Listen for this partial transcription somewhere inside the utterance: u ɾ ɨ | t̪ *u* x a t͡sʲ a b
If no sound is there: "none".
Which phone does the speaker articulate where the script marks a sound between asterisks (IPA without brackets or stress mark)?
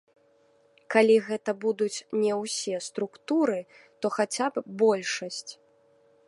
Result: ɔ